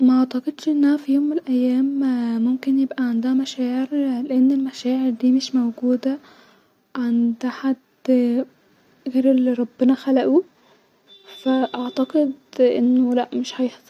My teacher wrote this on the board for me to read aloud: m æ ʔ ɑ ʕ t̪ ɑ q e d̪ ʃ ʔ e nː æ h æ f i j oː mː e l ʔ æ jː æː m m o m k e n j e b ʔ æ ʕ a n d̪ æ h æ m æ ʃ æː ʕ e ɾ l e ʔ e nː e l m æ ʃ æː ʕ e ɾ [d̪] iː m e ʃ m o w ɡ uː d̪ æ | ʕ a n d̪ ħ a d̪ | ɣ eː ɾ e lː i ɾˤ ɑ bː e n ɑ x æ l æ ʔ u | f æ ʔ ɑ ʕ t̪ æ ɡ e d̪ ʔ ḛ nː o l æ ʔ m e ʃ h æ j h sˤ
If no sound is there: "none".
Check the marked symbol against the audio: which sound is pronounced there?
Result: d̪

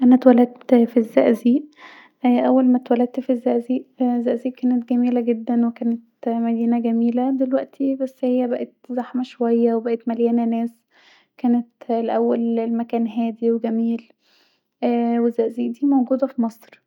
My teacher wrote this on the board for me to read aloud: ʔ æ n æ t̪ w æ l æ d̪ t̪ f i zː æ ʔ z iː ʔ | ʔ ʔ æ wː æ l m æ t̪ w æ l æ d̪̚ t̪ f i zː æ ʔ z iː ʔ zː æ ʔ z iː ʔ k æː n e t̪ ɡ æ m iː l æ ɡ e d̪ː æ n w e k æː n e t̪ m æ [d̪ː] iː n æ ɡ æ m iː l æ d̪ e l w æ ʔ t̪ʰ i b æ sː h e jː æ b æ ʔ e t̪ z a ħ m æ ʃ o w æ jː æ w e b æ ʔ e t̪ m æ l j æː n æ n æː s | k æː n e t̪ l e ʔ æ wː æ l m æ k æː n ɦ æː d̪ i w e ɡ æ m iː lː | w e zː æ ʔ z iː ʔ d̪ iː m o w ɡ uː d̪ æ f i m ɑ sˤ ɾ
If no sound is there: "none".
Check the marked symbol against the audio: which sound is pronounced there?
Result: d̪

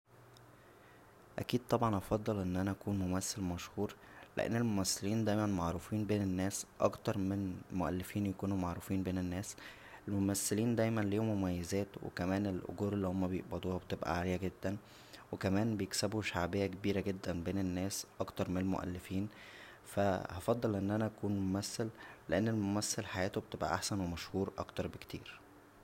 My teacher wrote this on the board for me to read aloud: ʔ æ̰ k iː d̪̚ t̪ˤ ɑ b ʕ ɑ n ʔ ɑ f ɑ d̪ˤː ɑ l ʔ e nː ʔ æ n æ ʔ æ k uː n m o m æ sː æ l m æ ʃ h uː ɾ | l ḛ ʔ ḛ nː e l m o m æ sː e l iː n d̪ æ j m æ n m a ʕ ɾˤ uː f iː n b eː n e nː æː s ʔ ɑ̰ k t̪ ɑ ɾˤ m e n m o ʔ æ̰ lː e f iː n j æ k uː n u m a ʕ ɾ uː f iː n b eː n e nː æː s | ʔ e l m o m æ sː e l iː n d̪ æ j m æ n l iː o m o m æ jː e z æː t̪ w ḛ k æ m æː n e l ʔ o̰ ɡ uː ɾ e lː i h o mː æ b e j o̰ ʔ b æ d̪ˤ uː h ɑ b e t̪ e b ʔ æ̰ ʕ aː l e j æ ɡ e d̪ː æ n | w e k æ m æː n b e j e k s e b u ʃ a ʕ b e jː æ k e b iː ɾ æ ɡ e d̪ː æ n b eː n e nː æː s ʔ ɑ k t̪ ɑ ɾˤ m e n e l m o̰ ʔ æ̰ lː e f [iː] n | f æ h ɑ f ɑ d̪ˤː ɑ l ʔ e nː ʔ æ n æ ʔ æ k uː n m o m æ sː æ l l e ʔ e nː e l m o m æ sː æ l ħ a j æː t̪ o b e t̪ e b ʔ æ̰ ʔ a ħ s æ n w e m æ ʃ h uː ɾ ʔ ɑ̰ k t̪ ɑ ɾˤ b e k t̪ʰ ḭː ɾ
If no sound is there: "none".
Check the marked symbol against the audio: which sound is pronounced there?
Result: iː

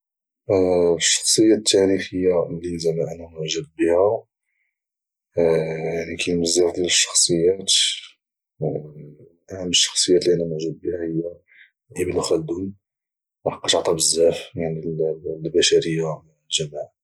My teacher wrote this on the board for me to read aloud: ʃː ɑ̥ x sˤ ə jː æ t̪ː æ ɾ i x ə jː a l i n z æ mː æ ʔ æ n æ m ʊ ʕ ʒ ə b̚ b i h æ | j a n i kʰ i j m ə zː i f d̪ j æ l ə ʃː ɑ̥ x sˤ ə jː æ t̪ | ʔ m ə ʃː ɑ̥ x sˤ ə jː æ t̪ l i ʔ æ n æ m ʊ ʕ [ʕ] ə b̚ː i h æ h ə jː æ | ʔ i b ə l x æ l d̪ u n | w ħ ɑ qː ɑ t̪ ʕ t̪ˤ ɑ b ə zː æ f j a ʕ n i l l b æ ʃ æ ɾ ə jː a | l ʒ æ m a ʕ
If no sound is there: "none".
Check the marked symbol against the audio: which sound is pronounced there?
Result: ʒ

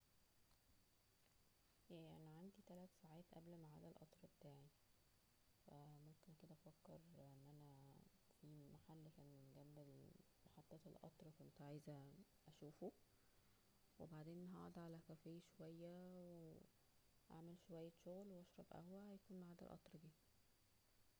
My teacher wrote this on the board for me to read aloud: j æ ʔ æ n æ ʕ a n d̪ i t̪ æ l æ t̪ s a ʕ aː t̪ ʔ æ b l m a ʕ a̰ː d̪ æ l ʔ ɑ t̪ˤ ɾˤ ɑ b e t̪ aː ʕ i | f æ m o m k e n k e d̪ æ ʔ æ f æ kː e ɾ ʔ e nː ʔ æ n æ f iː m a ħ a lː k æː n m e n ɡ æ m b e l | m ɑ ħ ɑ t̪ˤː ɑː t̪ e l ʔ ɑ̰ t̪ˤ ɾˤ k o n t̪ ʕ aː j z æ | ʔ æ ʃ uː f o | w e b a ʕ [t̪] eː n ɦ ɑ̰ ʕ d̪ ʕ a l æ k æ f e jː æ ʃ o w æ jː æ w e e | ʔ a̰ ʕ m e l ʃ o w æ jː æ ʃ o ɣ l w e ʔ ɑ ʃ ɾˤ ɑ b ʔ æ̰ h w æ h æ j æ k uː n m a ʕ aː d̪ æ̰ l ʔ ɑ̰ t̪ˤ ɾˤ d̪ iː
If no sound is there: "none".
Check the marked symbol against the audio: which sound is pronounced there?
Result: d̪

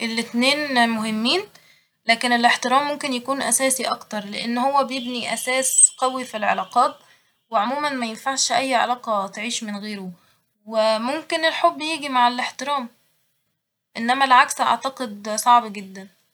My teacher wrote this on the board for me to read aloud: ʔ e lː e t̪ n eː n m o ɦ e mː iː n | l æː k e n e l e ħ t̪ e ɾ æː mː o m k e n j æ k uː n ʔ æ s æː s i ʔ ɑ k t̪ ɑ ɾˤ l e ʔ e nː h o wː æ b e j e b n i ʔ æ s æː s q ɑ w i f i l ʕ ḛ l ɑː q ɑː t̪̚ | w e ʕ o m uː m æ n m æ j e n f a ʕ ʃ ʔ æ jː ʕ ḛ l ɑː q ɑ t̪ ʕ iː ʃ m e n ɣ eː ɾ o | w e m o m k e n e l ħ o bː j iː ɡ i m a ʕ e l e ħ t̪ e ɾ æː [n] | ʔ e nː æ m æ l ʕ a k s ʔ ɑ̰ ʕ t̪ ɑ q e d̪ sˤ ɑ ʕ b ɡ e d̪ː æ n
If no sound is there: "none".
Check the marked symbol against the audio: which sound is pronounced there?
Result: m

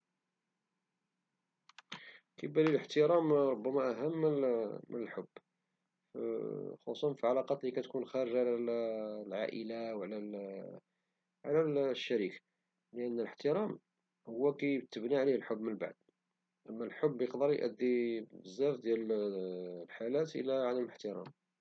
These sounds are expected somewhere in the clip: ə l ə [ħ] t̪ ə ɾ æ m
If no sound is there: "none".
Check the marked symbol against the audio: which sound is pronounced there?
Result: ħ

